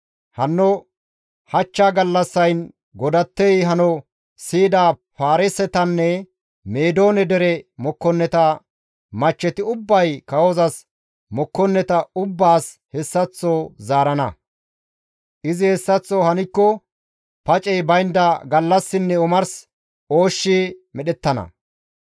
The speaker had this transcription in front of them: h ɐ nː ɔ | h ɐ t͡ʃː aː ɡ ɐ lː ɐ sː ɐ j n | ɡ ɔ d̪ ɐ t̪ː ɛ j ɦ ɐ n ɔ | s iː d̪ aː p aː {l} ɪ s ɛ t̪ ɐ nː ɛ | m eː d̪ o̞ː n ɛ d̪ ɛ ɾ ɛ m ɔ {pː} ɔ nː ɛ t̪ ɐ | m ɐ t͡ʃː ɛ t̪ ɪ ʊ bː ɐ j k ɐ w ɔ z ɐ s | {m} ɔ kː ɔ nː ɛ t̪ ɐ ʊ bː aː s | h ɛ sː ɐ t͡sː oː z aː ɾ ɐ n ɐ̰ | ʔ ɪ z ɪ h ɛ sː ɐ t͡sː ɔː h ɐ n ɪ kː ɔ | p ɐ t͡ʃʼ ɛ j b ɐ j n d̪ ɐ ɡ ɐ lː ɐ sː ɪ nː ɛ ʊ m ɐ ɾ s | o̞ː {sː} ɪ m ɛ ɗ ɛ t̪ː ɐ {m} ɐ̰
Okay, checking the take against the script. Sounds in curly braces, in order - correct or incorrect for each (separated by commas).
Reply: incorrect, incorrect, correct, incorrect, incorrect